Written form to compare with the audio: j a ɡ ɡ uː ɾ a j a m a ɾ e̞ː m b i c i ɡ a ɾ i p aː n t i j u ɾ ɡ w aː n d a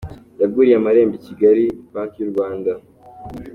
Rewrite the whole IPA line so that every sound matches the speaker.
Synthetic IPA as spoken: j a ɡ ɡ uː ɾ i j a m a ɾ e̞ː m b i c i ɡ a ɾ i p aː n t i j u ɾ ɡ w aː n d a